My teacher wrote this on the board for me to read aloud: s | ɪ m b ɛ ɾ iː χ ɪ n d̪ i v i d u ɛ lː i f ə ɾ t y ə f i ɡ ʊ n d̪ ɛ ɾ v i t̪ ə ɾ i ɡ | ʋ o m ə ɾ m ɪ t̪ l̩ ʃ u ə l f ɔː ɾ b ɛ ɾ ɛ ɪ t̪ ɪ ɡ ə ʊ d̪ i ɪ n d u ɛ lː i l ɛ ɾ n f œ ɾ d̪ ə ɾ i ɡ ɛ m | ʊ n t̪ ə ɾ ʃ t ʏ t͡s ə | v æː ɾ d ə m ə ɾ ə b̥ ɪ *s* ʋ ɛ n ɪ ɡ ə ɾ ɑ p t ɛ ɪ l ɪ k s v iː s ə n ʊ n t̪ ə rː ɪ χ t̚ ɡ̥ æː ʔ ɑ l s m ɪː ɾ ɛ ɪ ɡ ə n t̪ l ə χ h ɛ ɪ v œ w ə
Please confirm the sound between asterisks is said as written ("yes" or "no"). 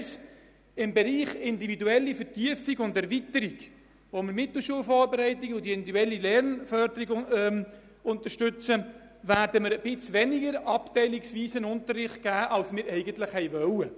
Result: no